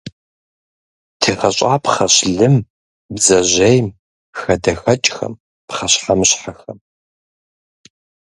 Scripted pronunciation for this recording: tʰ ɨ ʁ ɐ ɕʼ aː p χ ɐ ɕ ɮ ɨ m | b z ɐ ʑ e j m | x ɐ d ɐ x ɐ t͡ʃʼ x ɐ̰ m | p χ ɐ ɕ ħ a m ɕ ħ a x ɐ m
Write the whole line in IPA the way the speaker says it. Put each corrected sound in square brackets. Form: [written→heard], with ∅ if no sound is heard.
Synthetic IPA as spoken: tʰ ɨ ʁ ɐ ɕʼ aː p χ ɐ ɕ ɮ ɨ m | b z ɐ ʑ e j m | x ɐ d ɐ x ɐ t͡ʃʼ x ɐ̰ m | p χ ɐ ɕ ħ a m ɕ ħ a x ɐ m